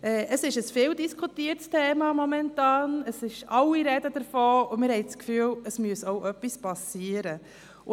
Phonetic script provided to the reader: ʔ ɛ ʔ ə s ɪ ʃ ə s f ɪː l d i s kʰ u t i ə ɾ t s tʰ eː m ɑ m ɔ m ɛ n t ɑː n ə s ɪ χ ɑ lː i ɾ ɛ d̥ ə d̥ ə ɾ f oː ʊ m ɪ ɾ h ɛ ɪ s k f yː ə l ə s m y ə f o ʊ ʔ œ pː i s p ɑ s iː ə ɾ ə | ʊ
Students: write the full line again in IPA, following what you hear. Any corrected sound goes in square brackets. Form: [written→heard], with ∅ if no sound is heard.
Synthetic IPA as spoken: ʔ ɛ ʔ ə s ɪ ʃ ə s f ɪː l d i s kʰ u t i ə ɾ t s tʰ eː m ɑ m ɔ m ɛ n t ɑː n ə s ɪ [χ→ʃ] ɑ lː i ɾ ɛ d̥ ə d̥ ə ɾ f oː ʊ m ɪ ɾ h ɛ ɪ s k f yː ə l ə s m y ə [f→s] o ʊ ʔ œ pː i s p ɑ s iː ə ɾ ə | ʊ